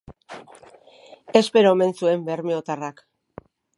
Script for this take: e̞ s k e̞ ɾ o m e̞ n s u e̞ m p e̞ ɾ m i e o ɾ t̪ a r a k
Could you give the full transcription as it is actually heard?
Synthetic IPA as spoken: e̞ s p e̞ ɾ o m e̞ n s u e̞ m b e̞ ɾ m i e o t̪ a r a k